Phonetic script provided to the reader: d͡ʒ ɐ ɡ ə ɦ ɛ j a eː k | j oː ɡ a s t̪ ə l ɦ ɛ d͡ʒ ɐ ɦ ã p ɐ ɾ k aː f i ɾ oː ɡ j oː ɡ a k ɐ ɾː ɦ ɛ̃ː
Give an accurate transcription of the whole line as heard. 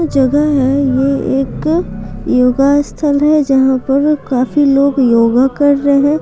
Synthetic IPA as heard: d͡ʒ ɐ ɡ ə ɦ ɛ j e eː k | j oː ɡ a s t̪ʰ ə l ɦ ɛ d͡ʒ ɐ ɦ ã p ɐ ɾ k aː f i l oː ɡ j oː ɡ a k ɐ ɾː ɦ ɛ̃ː